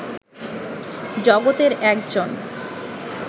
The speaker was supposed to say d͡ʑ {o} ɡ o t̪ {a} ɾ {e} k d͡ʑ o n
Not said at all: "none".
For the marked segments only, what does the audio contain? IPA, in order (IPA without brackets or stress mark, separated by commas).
ɔ, e, ɛ